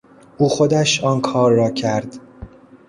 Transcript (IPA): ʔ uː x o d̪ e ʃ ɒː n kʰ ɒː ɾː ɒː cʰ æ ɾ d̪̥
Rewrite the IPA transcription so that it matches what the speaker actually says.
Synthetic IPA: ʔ uː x o d̪ æ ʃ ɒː n kʰ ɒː ɾː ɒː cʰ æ ɾ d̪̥